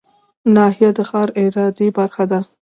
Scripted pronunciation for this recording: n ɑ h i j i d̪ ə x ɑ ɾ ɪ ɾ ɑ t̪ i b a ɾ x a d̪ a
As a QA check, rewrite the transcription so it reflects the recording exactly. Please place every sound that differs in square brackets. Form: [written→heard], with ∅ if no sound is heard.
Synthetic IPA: n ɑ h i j [i→a] d̪ ə x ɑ ɾ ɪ ɾ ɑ [t̪→d̪] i b a ɾ x a d̪ a